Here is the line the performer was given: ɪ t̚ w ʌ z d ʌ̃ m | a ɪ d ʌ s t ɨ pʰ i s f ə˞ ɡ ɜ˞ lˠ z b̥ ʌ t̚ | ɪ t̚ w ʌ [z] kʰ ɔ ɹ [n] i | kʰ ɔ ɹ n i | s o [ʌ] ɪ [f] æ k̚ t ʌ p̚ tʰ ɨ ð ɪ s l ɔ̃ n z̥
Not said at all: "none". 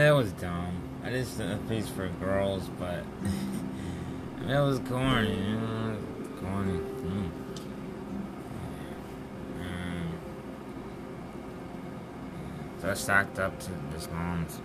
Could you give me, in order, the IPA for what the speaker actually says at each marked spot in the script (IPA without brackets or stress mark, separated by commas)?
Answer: z, n, a, s